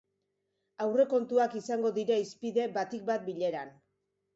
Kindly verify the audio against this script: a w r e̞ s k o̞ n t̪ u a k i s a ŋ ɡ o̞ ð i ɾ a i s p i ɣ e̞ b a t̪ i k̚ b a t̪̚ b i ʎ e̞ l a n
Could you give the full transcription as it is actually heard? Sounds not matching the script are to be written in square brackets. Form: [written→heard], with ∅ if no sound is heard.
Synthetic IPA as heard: a w r e̞ [s→∅] k o̞ n t̪ u a k i s a ŋ ɡ o̞ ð i ɾ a i s p i [ɣ→ð] e̞ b a t̪ i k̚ b a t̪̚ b i ʎ e̞ [l→ɾ] a n

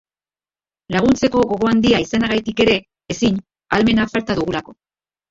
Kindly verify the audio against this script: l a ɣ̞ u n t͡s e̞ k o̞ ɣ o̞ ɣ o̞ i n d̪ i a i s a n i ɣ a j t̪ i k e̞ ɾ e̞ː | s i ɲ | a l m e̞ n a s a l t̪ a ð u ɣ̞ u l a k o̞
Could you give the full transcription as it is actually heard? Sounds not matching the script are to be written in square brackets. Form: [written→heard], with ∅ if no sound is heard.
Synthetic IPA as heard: l a ɣ̞ u n t͡s e̞ k o̞ ɣ o̞ ɣ o̞ [i→a] n d̪ i a i s a n [i→a] ɣ a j t̪ i k e̞ ɾ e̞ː | s i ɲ | a l m e̞ n a [s→f] a l t̪ a ð u ɣ̞ u l a k o̞

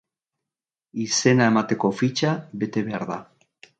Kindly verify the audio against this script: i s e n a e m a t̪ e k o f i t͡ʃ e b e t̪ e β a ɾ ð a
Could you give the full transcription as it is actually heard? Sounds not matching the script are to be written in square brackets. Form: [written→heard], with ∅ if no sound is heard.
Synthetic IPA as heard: i s e n a e m a t̪ e k o f i t͡ʃ [e→a] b e t̪ e β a ɾ ð a

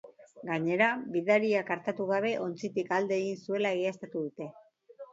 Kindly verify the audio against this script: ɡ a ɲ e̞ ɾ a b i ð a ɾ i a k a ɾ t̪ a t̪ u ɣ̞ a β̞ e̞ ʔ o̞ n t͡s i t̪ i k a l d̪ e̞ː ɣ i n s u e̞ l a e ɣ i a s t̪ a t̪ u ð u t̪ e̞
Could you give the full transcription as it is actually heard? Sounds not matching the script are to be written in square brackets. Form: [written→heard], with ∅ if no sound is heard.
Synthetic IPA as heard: ɡ a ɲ e̞ ɾ a b i ð a ɾ i a k a ɾ t̪ a t̪ u ɣ̞ a β̞ e̞ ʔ o̞ n t͡s i t̪ i k a l d̪ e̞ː ɣ i n s u e̞ l a e ɣ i a s t̪ a t̪ u ð u t̪ e̞

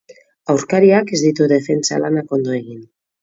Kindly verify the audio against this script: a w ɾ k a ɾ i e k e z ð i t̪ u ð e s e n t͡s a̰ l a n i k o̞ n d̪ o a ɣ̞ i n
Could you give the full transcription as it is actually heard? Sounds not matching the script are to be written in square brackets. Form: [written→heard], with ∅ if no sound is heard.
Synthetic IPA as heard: a w ɾ k a ɾ i [e→a] k e z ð i t̪ u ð e [s→f] e n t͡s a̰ l a n [i→a] k o̞ n d̪ o [a→e] ɣ̞ i n

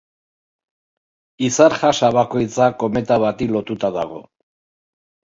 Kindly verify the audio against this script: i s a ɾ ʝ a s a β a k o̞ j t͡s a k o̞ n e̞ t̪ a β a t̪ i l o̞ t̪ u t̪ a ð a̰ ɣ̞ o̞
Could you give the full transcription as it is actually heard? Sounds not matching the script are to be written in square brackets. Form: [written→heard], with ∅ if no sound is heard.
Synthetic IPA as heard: i s a ɾ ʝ a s a β a k o̞ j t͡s a k o̞ [n→m] e̞ t̪ a β a t̪ i l o̞ t̪ u t̪ a ð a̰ ɣ̞ o̞

